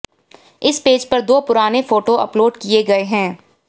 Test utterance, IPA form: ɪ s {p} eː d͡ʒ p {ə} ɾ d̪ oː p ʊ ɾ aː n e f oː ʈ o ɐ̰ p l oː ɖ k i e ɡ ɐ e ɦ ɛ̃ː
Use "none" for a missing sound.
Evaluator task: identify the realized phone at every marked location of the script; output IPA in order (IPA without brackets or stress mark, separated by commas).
p, ɐ